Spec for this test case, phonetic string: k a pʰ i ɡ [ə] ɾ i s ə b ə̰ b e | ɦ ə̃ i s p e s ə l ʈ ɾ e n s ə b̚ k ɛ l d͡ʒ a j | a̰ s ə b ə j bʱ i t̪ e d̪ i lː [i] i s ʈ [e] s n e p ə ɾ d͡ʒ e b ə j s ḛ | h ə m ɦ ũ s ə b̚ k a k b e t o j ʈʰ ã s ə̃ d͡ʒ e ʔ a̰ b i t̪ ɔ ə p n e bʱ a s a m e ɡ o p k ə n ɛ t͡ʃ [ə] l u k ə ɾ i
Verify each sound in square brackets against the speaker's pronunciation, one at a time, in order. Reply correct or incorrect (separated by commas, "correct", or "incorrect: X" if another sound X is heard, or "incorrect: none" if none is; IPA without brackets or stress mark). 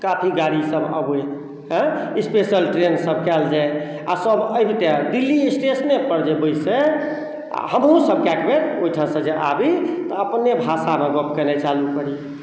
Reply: incorrect: a, correct, correct, incorrect: a